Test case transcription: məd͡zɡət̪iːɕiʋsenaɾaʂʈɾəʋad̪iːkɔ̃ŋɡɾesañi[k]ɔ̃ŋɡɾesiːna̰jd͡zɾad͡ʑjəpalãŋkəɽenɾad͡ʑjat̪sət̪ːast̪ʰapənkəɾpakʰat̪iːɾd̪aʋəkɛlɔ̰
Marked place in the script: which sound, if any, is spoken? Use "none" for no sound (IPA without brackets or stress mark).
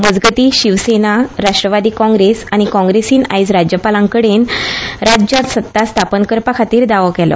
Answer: k